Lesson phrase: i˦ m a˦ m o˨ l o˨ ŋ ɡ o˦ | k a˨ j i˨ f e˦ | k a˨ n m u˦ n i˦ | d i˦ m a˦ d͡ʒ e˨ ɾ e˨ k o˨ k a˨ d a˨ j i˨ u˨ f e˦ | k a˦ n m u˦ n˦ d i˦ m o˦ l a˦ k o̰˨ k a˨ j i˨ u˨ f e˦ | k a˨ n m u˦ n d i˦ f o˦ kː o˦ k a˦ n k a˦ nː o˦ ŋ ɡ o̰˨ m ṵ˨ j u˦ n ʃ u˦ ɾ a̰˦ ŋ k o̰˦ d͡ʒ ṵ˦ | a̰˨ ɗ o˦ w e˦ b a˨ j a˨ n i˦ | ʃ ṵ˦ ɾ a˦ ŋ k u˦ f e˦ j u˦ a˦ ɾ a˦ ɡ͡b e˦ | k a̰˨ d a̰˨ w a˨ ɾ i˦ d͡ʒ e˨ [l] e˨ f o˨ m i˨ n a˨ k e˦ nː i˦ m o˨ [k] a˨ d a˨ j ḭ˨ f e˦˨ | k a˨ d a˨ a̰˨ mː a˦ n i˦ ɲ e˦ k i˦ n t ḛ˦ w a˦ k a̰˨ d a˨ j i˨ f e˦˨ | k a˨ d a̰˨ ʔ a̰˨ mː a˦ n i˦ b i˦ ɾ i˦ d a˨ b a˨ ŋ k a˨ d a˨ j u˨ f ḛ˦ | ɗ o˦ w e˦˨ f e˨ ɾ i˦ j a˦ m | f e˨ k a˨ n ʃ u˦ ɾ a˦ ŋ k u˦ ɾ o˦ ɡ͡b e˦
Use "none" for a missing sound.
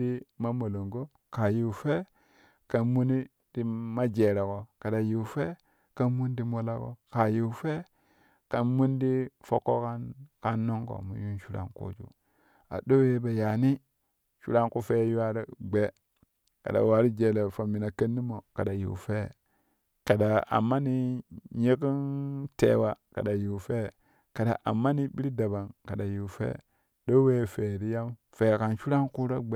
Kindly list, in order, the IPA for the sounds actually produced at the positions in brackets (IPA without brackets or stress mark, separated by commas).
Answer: l, k